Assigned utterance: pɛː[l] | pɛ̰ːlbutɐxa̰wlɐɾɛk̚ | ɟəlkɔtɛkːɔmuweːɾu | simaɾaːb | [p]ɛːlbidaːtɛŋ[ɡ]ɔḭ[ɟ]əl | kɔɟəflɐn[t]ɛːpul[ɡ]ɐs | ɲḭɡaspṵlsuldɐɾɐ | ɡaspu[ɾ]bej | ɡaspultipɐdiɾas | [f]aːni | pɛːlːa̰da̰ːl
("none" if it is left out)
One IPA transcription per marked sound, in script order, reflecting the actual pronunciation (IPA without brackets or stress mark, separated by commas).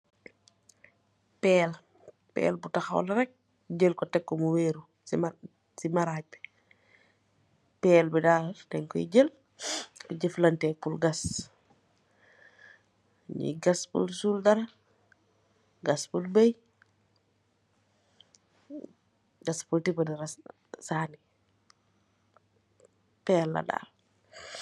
l, p, k, ɟ, t, ɡ, l, s